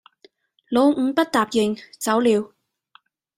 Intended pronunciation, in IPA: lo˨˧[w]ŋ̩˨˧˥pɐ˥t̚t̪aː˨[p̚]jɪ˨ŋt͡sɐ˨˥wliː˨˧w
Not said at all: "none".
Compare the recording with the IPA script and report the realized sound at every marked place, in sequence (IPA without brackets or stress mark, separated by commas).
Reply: w, p̚